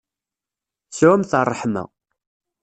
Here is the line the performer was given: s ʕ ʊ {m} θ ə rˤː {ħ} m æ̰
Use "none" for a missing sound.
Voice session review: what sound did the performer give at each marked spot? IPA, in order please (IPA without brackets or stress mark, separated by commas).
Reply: m, ħ